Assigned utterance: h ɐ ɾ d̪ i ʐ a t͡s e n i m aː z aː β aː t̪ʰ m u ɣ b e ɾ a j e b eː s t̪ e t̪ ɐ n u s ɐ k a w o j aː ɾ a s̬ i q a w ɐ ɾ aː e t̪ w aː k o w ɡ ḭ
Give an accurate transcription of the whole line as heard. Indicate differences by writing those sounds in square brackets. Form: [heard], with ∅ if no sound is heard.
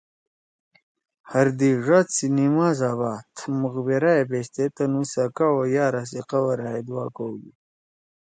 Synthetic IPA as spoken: h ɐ ɾ d̪ i ʐ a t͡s [i] n i m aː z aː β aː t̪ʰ m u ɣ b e ɾ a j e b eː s t̪ e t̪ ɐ n u s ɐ k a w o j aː ɾ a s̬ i q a w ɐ ɾ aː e [d̪] w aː k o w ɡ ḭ